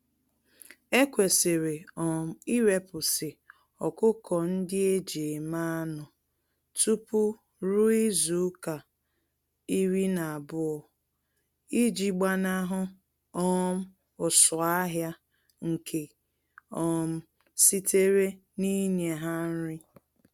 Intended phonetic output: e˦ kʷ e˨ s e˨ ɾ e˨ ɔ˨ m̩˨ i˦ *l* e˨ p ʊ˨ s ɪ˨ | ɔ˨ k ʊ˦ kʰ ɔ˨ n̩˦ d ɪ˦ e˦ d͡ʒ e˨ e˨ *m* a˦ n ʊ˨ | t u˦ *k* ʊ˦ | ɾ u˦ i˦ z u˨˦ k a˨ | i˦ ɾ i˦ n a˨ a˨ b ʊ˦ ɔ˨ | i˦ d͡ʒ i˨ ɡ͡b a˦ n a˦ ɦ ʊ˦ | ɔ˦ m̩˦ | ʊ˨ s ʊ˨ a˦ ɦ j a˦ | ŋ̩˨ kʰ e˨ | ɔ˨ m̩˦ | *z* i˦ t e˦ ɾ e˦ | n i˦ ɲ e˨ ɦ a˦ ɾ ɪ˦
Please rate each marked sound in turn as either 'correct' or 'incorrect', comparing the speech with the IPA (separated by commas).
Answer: incorrect, correct, incorrect, incorrect